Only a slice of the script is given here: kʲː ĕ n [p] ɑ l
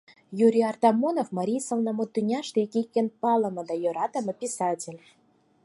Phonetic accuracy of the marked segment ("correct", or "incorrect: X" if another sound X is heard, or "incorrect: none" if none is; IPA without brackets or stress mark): correct